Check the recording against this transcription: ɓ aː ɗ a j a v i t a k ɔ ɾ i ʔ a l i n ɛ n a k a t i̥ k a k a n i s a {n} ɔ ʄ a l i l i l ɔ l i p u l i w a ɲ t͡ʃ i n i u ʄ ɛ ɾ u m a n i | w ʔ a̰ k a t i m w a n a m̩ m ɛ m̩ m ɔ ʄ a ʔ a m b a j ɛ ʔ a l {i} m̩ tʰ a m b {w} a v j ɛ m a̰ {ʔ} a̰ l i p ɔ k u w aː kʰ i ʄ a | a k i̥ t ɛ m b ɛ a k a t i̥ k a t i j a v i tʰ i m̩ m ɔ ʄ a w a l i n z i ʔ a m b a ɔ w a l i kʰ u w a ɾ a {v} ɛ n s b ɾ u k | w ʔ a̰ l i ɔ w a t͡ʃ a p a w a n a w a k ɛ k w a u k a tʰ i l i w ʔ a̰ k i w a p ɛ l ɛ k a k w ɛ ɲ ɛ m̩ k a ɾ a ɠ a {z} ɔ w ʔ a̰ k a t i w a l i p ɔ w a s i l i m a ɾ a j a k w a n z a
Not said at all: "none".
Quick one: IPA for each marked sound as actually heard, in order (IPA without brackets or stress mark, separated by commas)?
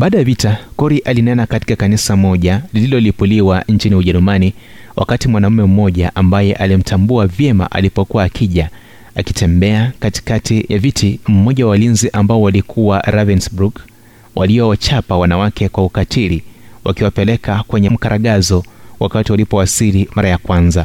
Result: m, i, u, ʔ, v, z